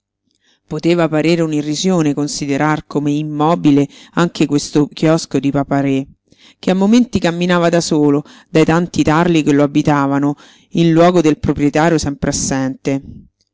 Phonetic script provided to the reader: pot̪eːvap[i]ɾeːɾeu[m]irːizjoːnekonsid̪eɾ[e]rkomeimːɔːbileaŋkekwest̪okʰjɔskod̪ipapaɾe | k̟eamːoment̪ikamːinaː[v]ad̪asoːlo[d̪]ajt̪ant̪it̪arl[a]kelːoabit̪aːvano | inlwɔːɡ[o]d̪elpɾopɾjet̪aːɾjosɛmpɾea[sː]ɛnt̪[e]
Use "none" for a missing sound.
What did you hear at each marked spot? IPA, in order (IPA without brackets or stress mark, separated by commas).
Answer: a, n, a, v, d̪, i, o, sː, e